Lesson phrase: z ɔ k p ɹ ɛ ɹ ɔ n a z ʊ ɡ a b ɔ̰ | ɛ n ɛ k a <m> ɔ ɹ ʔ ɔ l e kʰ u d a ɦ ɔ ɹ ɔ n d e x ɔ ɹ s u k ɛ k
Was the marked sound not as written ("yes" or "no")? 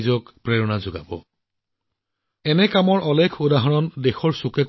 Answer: no